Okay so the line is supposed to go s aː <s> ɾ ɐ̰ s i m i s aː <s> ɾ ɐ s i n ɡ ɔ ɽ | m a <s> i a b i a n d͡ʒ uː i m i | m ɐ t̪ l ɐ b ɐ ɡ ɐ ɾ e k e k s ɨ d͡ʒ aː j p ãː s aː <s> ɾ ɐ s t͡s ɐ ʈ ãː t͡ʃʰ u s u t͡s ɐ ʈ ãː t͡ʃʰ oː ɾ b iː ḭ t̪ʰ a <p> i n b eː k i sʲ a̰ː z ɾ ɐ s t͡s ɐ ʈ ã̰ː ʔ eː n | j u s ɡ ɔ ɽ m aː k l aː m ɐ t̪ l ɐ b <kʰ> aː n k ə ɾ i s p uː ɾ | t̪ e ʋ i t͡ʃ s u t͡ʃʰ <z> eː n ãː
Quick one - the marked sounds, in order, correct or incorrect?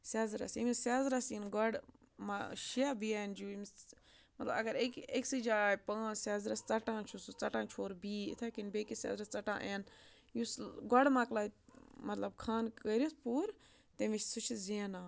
incorrect, incorrect, incorrect, incorrect, incorrect, correct, correct

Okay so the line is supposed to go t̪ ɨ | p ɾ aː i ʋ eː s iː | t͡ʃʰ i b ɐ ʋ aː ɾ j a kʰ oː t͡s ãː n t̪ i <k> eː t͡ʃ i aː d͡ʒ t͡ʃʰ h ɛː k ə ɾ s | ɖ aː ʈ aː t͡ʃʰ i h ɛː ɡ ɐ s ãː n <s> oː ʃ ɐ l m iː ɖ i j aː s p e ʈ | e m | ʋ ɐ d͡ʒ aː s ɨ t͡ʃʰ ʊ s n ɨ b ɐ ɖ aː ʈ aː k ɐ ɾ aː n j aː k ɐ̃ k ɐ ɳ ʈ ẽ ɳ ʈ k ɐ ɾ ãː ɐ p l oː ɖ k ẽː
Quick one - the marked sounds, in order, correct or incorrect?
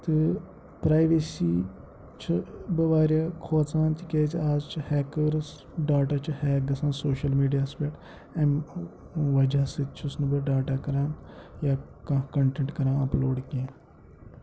correct, correct

